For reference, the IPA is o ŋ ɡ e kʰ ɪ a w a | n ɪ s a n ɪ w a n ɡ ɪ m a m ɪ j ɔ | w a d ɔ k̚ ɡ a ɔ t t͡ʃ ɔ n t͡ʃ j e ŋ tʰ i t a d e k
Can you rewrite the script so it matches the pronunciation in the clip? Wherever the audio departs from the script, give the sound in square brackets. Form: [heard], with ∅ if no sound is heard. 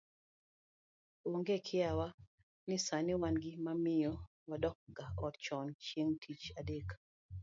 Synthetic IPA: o ŋ ɡ e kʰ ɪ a w a | n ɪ s a n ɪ w a n ɡ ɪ m a m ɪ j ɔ | w a d ɔ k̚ ɡ a ɔ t t͡ʃ ɔ n t͡ʃ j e ŋ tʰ i [t͡ʃ] a d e k